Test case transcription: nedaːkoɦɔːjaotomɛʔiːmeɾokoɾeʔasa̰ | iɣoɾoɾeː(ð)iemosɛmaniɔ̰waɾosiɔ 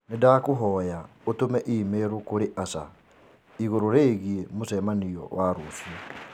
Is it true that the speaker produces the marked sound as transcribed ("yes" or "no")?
no